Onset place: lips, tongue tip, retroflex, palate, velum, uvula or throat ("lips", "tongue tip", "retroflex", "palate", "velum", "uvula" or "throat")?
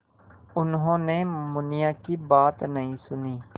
tongue tip